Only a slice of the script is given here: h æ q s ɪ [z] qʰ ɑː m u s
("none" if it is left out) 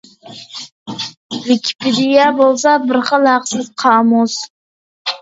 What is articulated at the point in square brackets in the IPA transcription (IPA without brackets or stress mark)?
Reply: z